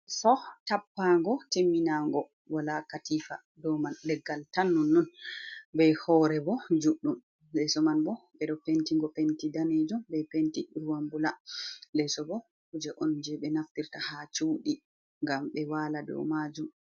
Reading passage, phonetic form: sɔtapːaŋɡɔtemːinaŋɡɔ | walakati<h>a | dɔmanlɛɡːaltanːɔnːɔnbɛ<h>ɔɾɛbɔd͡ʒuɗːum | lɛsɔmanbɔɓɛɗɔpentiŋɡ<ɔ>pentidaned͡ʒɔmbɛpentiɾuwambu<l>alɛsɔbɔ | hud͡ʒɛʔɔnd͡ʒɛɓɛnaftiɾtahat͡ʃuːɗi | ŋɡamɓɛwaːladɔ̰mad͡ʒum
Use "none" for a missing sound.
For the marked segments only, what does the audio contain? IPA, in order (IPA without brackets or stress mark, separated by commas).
f, h, ɔ, l